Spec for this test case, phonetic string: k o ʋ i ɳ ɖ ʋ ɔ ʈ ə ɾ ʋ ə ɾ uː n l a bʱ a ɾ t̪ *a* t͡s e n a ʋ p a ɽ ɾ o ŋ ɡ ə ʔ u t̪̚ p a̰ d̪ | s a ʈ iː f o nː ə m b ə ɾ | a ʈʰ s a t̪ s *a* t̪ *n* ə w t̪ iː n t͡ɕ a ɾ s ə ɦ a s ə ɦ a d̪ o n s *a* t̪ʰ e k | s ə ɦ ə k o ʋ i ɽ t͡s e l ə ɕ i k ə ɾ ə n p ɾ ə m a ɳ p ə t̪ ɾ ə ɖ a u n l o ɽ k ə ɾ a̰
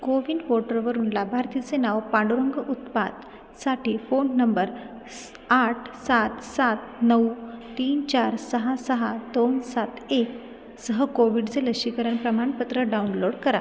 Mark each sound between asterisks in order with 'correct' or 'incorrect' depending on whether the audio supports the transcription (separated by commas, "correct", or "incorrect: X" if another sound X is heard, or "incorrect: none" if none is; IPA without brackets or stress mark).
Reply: incorrect: i, correct, correct, correct